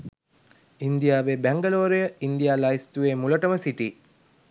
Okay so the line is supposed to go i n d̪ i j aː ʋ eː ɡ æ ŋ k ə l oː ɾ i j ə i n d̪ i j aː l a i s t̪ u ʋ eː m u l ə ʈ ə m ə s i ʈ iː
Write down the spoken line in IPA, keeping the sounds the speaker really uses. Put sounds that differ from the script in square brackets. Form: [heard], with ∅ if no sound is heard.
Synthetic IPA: i n d̪ i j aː ʋ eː [b] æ ŋ [ɡ] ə l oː ɾ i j ə i n d̪ i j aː l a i s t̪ u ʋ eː m u l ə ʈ ə m ə s i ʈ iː